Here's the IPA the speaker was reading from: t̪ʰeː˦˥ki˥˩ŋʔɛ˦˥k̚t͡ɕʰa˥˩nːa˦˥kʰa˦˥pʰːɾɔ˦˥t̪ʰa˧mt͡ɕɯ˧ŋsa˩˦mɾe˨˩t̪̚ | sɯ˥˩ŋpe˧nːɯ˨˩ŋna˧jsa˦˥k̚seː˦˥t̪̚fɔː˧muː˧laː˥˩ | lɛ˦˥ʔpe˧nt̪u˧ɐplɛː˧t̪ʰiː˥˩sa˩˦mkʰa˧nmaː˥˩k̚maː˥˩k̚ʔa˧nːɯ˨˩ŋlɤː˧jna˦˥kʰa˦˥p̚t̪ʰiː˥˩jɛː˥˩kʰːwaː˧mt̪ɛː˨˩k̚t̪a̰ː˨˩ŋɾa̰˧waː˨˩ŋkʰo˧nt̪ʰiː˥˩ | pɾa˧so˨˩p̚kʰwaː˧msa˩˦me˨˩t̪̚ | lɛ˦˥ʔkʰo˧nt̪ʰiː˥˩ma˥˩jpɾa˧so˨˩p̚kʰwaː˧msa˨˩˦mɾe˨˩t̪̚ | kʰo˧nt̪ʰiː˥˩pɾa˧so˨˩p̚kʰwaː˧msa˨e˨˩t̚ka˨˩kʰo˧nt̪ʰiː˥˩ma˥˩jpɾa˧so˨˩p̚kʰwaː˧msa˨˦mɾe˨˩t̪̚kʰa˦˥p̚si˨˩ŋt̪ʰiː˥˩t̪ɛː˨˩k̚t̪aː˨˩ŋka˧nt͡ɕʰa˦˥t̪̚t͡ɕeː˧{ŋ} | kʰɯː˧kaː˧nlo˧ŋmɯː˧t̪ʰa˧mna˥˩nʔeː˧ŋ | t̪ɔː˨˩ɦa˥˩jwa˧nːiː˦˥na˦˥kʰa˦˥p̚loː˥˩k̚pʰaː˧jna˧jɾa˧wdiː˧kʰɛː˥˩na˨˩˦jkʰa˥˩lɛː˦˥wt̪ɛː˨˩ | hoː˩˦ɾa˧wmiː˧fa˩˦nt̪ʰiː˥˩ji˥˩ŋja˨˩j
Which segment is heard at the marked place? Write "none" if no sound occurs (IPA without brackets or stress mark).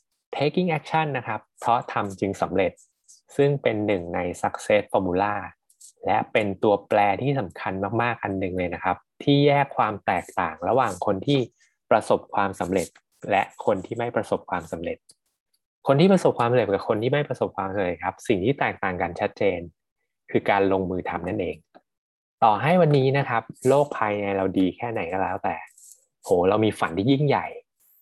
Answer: n